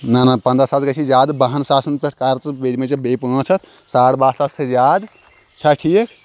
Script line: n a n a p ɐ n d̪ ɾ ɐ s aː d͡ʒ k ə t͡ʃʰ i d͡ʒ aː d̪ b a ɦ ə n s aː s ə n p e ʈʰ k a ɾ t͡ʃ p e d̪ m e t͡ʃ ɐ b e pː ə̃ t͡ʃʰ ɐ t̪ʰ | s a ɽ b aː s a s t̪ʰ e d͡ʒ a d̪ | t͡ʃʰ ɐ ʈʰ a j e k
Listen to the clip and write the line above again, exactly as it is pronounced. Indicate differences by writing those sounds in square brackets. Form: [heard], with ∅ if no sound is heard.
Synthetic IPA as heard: n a n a p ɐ n d̪ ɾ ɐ s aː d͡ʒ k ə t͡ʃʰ i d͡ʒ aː d̪ b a ɦ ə n s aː s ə n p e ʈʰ k a ɾ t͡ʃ [b] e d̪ m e t͡ʃ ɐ b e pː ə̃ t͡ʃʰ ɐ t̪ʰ | s a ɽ b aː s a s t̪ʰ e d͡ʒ a d̪ | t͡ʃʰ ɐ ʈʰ [i] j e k